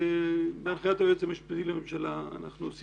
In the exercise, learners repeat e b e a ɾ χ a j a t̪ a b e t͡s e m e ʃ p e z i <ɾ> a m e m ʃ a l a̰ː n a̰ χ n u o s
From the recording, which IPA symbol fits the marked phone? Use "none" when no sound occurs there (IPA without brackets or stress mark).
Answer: l